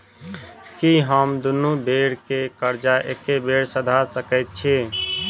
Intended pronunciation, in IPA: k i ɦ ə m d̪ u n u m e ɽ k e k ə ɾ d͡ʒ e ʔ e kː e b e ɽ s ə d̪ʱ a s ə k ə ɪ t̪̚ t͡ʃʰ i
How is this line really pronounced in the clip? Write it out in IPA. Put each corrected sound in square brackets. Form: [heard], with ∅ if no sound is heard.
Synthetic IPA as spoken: k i ɦ ə m d̪ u n u [b] e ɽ k e k ə ɾ d͡ʒ [a] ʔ e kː e b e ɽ s ə d̪ʱ a s ə k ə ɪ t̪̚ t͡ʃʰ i